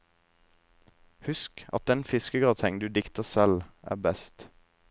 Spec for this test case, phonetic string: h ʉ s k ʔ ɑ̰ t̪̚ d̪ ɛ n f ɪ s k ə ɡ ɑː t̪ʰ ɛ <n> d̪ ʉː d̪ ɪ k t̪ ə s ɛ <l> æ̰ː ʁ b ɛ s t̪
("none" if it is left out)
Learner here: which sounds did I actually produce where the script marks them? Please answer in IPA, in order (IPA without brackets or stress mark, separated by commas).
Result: ŋ, l